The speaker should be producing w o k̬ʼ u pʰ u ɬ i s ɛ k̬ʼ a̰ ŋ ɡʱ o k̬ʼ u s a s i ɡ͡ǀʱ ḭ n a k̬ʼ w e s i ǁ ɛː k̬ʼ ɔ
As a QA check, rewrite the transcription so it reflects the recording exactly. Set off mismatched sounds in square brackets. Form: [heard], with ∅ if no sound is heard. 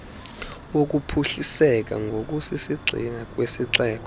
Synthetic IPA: w o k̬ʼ u pʰ u ɬ i s ɛ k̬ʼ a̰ ŋ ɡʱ o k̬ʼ u s [i] s i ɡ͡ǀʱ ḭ n a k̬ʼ w e s i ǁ ɛː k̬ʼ ɔ